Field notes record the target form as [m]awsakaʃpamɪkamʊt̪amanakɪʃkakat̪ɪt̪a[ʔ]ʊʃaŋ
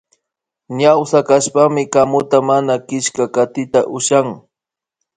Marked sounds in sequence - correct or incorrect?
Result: incorrect: ɲ, correct

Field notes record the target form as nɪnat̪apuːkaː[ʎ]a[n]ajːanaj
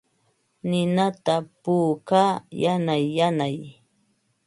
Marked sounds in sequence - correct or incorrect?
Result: incorrect: j, correct

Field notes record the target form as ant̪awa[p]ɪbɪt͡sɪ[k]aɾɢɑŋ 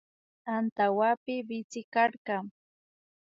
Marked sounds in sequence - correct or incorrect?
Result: correct, correct

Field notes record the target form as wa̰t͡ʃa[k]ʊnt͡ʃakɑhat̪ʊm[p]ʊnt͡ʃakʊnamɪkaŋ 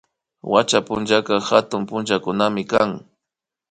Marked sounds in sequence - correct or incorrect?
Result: incorrect: p, correct

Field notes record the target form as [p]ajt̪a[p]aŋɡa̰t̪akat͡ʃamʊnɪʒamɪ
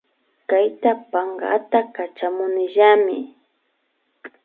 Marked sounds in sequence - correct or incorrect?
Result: incorrect: k, correct

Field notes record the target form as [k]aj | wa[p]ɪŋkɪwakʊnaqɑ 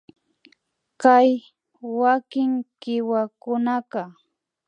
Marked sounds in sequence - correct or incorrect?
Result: correct, incorrect: k

